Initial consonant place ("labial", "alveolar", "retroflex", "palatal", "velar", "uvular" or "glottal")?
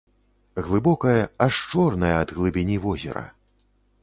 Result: velar